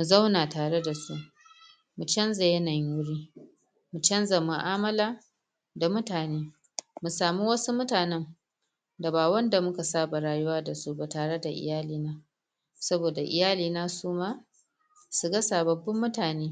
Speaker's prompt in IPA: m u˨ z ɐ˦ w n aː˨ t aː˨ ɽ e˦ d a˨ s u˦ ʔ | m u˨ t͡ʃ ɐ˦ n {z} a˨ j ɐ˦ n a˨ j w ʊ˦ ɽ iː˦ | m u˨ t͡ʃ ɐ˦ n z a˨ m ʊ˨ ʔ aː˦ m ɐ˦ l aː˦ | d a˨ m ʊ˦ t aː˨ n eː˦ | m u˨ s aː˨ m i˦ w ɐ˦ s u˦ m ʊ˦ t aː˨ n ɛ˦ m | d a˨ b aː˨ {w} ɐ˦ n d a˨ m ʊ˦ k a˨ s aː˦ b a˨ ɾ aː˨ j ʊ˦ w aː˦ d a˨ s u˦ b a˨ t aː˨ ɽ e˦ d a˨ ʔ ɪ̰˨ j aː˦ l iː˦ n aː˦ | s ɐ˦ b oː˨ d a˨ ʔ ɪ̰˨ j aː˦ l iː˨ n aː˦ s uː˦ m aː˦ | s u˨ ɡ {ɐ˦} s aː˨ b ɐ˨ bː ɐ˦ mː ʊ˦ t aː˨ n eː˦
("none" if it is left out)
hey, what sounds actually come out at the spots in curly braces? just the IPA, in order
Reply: z, w, ɐ˦

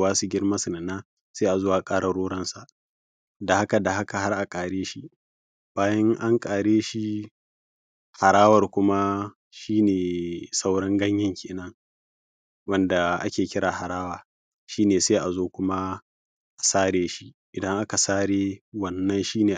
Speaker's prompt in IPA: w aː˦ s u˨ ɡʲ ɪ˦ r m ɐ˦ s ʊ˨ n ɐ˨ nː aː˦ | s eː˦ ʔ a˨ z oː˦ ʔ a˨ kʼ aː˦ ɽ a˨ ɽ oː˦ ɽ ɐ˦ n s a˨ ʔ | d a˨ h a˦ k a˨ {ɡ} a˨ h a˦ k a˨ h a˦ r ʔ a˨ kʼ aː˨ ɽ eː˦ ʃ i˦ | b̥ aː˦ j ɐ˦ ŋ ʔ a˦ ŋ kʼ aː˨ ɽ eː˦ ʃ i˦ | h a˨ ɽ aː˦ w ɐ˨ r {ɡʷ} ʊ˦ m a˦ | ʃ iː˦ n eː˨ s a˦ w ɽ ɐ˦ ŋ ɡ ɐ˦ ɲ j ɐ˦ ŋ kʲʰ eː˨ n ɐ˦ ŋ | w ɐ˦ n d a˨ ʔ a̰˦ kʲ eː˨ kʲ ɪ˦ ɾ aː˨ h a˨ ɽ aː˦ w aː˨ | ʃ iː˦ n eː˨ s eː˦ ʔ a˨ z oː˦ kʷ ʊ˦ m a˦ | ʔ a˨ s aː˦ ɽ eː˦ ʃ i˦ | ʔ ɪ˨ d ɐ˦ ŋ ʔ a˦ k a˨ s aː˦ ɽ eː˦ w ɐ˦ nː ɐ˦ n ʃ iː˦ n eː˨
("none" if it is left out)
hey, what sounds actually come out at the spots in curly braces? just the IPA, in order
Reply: d, kʷ

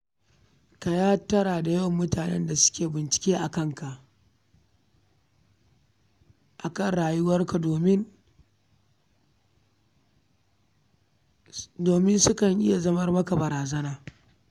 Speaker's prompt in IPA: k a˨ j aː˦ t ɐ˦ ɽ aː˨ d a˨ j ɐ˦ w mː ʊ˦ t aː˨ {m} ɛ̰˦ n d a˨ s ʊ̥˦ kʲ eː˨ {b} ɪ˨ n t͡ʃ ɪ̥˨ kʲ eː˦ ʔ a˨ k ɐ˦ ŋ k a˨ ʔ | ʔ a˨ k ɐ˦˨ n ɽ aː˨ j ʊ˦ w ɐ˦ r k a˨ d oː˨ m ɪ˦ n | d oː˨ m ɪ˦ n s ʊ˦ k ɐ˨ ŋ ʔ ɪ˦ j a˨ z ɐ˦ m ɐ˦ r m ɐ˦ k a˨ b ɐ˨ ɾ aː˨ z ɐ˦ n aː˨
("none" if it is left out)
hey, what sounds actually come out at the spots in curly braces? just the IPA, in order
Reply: n, b

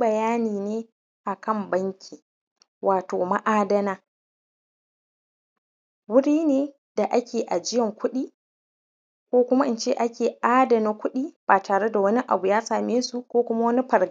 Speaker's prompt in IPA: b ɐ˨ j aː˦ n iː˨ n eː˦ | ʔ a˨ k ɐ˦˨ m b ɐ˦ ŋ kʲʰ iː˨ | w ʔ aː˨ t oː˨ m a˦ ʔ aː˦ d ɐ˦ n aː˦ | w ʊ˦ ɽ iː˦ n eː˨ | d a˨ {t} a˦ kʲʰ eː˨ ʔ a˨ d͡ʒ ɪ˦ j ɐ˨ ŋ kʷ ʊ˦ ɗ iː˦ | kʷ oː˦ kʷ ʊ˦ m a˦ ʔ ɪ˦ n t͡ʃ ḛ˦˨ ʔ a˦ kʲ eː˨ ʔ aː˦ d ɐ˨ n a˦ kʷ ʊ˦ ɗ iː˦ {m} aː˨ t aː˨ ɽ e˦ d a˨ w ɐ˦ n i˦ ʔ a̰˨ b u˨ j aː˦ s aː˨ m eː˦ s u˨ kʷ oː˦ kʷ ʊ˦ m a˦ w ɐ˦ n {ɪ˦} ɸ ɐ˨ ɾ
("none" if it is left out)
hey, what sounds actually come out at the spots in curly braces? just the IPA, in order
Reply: ʔ, b, i˦

